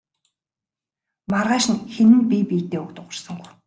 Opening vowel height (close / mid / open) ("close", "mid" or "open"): open